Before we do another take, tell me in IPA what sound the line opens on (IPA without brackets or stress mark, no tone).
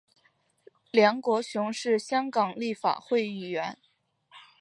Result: l